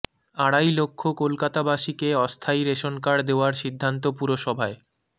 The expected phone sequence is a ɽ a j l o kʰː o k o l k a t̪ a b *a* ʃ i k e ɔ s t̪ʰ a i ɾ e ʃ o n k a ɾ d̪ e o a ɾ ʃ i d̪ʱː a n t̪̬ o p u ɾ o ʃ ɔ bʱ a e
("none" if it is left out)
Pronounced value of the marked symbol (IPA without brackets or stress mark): a